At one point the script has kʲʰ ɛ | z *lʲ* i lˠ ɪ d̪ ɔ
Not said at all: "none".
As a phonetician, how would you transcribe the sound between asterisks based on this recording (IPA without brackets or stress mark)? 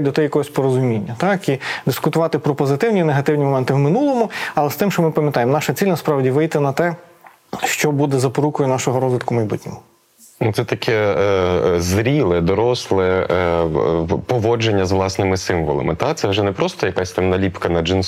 ɾʲ